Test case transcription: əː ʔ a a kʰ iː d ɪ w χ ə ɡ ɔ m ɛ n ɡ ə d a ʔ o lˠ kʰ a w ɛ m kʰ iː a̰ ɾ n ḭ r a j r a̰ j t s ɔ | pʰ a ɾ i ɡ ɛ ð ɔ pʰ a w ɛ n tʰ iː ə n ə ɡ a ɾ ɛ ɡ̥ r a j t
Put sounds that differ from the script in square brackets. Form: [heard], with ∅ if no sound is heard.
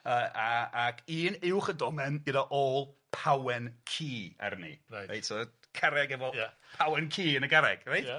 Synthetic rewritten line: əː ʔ a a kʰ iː [n] ɪ w χ ə [d] ɔ m ɛ n ɡ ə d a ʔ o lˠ [pʰ] a w ɛ [n] kʰ iː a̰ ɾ n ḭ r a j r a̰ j t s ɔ | [kʰ] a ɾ [ɛ] ɡ ɛ [v] ɔ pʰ a w ɛ n [kʰ] iː ə n ə ɡ a ɾ ɛ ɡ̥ r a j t